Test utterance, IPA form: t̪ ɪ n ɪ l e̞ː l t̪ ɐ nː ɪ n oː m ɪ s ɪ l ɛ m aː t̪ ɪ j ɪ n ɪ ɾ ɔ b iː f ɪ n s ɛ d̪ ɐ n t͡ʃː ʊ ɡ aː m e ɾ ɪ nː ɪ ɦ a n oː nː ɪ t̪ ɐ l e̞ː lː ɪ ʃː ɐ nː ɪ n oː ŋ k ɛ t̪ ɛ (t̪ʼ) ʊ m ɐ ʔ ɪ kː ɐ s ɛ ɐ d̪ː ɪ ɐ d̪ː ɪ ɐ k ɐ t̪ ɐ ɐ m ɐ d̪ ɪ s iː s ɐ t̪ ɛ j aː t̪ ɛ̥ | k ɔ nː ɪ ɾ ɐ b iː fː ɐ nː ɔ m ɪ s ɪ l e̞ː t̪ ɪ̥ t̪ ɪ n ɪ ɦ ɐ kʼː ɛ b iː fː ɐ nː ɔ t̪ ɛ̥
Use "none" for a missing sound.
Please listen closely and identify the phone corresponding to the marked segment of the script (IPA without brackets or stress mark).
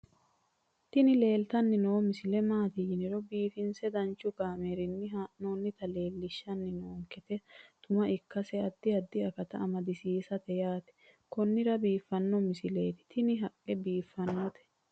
t̪